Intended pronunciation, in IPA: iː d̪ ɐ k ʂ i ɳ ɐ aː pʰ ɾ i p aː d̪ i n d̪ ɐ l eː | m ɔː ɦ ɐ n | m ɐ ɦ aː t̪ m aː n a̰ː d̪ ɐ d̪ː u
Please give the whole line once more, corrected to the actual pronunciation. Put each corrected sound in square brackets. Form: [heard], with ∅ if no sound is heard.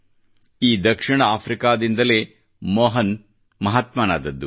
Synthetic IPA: iː d̪ ɐ k ʂ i ɳ ɐ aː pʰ ɾ i [k] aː d̪ i n d̪ ɐ l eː | m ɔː ɦ ɐ n | m ɐ ɦ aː t̪ m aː n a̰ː d̪ ɐ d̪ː u

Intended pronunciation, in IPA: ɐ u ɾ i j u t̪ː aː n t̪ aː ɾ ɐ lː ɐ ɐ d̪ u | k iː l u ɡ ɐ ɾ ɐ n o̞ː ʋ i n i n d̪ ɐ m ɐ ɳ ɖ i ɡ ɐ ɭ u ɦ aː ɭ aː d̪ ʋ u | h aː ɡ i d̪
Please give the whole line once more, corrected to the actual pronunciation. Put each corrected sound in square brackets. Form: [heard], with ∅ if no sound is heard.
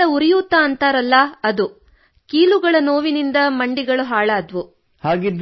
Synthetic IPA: ɐ u ɾ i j u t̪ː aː n t̪ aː ɾ ɐ lː ɐ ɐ d̪ u | k iː l u ɡ ɐ [ɭ] ɐ n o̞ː ʋ i n i n d̪ ɐ m ɐ ɳ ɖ i ɡ ɐ ɭ u ɦ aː ɭ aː d̪ ʋ u | h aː ɡ i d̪

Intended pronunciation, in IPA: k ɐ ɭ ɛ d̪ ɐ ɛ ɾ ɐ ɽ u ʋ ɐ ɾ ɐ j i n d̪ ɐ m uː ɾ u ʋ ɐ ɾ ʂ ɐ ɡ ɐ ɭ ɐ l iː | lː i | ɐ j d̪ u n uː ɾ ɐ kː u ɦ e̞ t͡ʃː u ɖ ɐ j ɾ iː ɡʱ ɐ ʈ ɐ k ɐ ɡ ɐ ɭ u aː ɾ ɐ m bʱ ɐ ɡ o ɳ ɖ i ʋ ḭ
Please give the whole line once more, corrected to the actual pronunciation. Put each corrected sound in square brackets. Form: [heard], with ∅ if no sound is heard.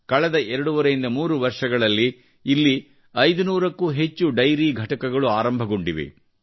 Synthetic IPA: k ɐ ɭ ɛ d̪ ɐ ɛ ɾ ɐ ɽ u ʋ ɐ ɾ ɐ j i n d̪ ɐ m uː ɾ u ʋ ɐ ɾ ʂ ɐ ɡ ɐ ɭ ɐ [lː] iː | lː i | ɐ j d̪ u n uː ɾ ɐ kː u ɦ e̞ t͡ʃː u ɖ ɐ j ɾ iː ɡʱ ɐ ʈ ɐ k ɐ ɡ ɐ ɭ u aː ɾ ɐ m bʱ ɐ ɡ o ɳ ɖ i ʋ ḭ

